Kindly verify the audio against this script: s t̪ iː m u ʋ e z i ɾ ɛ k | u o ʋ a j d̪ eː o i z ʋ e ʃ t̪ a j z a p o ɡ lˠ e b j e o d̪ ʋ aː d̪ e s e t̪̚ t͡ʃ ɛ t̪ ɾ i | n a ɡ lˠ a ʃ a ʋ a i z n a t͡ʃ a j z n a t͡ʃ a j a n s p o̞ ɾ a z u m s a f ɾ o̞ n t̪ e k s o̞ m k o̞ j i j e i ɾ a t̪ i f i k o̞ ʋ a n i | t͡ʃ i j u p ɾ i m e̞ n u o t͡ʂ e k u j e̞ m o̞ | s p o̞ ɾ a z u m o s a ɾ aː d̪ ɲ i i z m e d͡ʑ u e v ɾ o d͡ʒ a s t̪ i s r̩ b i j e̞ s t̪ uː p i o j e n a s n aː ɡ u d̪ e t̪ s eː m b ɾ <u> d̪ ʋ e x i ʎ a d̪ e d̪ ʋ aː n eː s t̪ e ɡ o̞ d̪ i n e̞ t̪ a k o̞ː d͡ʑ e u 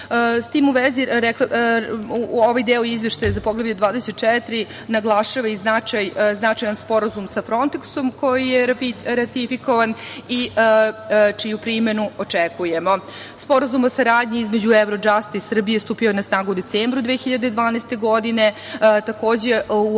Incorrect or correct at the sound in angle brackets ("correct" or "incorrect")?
correct